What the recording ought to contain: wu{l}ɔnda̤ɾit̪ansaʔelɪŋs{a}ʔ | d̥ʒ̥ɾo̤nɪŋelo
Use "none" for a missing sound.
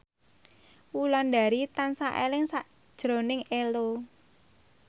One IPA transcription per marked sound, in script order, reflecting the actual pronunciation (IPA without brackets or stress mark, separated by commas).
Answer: l, a